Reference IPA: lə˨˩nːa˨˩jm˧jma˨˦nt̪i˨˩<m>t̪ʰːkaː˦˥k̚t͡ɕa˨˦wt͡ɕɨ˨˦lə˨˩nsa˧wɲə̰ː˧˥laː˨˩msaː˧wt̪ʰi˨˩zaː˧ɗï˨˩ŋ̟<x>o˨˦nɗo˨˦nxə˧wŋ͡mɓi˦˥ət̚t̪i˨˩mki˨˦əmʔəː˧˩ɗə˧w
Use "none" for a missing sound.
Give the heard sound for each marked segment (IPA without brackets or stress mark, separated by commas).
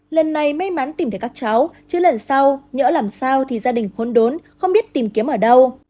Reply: m, x